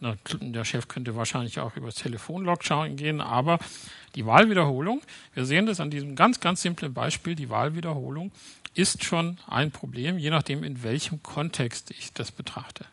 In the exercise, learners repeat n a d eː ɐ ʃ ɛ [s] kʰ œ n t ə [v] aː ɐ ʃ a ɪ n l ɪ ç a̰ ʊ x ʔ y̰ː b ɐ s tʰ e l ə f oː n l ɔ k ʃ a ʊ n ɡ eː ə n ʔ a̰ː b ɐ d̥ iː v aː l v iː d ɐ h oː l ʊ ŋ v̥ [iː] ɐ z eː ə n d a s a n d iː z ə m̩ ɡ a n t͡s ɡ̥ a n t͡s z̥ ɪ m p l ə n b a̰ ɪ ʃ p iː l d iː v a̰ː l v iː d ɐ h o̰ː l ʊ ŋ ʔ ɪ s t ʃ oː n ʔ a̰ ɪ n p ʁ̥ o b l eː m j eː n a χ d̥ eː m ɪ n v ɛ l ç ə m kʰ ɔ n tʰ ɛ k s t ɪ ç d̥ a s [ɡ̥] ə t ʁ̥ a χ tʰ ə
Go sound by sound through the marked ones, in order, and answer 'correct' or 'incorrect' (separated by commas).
incorrect, correct, correct, incorrect